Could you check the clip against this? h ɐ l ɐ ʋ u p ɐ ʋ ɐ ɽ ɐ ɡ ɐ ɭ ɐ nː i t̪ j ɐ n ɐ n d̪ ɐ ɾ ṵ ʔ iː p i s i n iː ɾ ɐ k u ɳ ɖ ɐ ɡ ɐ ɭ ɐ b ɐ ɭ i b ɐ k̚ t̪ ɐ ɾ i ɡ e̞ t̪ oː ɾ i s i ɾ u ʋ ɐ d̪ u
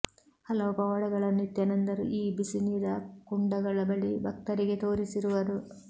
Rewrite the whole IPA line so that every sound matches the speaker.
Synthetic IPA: h ɐ l ɐ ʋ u p ɐ ʋ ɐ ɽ ɐ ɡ ɐ ɭ ɐ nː i t̪ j ɐ n ɐ n d̪ ɐ ɾ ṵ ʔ iː b i s i n iː ɾ ɐ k u ɳ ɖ ɐ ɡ ɐ ɭ ɐ b ɐ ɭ i b ɐ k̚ t̪ ɐ ɾ i ɡ e̞ t̪ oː ɾ i s i ɾ u ʋ ɐ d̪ u